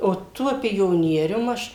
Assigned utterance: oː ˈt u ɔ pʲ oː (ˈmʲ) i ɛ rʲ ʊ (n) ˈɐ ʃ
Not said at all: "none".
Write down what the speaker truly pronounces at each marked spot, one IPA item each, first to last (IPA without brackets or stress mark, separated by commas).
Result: nʲ, m